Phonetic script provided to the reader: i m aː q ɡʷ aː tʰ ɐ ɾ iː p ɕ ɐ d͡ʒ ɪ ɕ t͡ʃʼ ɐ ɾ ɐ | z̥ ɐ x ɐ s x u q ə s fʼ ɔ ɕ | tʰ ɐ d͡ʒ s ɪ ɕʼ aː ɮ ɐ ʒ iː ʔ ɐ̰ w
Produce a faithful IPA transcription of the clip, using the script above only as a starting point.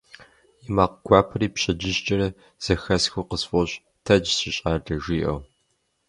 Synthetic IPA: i m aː q ɡʷ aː pʰ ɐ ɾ iː p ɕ ɐ d͡ʒ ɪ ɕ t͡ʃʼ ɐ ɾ ɐ | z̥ ɐ x ɐ s x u q ə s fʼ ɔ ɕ | tʰ ɐ d͡ʒ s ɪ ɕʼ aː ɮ ɐ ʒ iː ʔ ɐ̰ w